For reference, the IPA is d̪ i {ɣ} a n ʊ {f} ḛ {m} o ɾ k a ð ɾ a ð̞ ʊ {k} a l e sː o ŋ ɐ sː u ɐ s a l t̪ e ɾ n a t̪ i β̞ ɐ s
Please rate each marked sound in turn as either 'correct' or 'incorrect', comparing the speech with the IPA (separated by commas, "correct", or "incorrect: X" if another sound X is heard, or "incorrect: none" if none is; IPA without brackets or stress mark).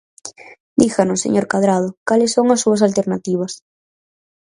incorrect: x, incorrect: s, incorrect: ɲ, correct